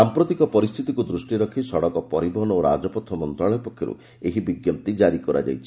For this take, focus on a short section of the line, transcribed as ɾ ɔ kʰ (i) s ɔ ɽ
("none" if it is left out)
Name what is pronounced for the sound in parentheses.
i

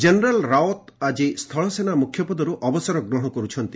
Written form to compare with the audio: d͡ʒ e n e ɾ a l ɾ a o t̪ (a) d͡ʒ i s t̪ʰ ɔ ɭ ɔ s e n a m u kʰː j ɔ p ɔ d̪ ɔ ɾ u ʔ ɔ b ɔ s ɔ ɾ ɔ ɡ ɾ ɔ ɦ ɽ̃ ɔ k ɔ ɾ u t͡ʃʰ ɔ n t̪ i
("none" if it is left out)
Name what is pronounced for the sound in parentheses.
a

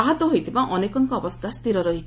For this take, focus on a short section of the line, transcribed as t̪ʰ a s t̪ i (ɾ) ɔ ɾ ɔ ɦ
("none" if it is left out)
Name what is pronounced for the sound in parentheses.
ɾ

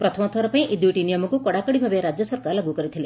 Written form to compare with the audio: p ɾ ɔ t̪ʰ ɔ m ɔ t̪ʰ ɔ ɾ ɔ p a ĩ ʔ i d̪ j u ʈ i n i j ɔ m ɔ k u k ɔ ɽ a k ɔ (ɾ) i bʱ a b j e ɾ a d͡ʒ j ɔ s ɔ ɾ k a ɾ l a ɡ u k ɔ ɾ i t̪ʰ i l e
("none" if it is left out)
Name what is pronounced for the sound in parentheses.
ɽ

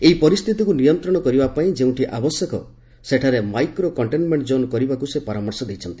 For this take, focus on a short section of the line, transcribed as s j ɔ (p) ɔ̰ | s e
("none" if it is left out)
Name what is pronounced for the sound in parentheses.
k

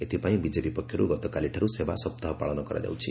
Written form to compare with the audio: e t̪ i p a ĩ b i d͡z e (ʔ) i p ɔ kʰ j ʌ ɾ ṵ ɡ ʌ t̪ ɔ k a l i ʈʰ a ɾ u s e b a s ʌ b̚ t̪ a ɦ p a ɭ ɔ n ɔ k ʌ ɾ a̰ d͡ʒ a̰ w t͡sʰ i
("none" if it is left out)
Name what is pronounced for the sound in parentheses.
p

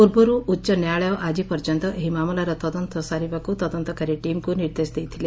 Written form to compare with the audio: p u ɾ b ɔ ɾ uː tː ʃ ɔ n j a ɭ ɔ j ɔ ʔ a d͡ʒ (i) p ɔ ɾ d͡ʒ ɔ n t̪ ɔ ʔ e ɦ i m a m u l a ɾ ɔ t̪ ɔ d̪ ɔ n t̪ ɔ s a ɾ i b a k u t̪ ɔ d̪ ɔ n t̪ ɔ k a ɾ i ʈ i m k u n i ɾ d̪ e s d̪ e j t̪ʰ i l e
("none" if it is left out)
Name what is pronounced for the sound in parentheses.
i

